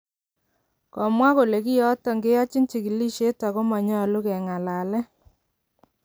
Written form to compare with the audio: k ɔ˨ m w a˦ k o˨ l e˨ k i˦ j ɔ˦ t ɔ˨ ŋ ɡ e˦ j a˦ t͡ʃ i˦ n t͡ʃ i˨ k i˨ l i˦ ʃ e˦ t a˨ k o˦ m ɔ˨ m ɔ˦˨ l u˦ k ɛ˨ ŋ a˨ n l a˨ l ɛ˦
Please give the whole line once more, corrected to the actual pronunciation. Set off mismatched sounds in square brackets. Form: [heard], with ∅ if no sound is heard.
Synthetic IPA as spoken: k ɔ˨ m w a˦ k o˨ l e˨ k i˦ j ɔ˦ t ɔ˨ ŋ ɡ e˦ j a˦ t͡ʃ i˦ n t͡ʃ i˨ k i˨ l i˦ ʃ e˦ t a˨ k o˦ m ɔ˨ [ɲ] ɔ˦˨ l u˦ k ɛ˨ ŋ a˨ [∅] l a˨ l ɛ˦